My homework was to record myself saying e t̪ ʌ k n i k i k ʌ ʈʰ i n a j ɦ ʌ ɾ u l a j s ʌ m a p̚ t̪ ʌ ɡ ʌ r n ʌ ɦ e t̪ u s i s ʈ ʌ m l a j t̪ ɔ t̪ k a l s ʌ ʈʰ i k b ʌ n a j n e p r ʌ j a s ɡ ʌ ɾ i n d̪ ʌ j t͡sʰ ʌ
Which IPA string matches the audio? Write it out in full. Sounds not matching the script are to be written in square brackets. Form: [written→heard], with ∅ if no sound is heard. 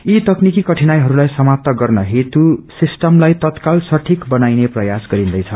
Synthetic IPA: [e→i] t̪ ʌ k n i k i k ʌ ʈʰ i n a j ɦ ʌ ɾ u l a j s ʌ m a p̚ t̪ ʌ ɡ ʌ r n ʌ ɦ e t̪ u s i s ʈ ʌ m l a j t̪ [ɔ→ʌ] t̪ k a l s ʌ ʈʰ i k b ʌ n a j n e p r ʌ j a s ɡ ʌ ɾ i n d̪ ʌ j t͡sʰ ʌ

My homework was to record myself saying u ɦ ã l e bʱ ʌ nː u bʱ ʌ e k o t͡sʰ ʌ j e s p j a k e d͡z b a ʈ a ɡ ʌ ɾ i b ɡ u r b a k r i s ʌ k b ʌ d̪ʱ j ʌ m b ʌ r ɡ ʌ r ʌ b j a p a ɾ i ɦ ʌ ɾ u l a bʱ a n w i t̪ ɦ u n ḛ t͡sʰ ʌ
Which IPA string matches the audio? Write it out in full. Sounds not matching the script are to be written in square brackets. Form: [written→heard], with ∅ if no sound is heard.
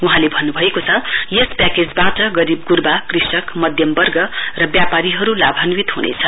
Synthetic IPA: u ɦ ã l e bʱ ʌ nː u bʱ ʌ e k o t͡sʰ ʌ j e s p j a k e d͡z b a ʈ [a→ʌ] ɡ ʌ ɾ i b ɡ u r b a k r i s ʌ k [b→m] ʌ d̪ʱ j ʌ m b ʌ r ɡ ʌ r ʌ b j a p a ɾ i ɦ ʌ ɾ u l a bʱ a n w i t̪ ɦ u n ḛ t͡sʰ ʌ

